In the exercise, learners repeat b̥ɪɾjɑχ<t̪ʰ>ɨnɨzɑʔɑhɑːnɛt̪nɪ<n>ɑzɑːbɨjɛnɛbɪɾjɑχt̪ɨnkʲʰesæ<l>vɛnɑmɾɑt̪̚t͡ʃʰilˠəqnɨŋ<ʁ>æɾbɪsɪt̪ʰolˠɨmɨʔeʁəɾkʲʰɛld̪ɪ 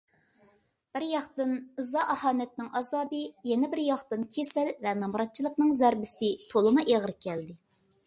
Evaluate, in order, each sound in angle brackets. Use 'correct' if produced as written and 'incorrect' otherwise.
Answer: incorrect, incorrect, correct, incorrect

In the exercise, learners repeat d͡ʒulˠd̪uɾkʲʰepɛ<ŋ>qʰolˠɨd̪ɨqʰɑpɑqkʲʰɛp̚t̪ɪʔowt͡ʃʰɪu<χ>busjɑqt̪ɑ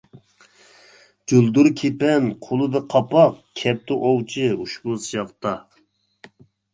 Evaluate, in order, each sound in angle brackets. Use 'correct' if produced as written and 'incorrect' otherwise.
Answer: incorrect, incorrect

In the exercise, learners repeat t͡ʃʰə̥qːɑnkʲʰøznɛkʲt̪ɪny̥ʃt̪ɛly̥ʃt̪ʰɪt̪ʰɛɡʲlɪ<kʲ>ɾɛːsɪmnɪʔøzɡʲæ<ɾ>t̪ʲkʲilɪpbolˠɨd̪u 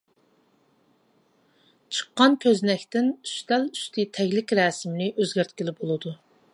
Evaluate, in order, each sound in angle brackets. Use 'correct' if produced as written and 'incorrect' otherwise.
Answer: correct, correct

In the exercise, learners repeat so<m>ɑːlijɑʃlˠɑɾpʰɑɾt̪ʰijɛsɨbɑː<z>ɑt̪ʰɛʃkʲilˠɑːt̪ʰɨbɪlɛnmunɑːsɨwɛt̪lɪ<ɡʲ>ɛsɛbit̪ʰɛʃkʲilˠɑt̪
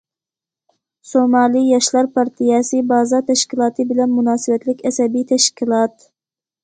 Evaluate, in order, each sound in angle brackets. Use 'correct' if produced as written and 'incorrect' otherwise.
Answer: correct, correct, incorrect

